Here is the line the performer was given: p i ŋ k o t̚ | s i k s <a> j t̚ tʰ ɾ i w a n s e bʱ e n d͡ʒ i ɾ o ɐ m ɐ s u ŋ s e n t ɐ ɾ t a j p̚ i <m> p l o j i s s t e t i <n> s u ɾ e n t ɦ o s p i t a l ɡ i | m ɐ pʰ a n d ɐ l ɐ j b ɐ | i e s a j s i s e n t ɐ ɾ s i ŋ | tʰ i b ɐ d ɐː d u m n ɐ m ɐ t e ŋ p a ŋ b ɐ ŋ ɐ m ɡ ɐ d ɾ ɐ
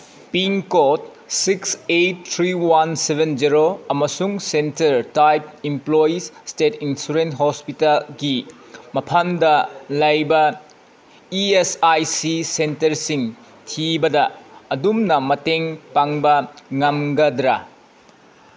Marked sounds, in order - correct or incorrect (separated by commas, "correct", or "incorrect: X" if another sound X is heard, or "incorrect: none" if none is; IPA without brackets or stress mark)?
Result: incorrect: e, correct, correct